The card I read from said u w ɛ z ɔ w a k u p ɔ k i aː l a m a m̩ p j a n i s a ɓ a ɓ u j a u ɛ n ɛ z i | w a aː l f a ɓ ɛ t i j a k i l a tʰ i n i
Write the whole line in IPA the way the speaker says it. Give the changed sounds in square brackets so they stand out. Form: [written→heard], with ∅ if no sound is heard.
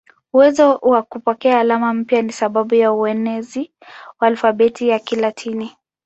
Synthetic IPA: u w ɛ z ɔ w a k u p ɔ k [i→ɛ] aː l a m a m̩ p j a n i s a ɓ a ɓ u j a u ɛ n ɛ z i | w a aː l f a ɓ ɛ t i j a k i l a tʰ i n i